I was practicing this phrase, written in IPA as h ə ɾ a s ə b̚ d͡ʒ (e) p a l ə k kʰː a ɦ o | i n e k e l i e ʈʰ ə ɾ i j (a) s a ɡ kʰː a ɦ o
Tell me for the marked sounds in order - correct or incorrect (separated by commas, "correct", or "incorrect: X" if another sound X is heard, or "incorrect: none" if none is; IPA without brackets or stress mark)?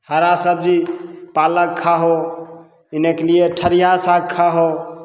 incorrect: i, correct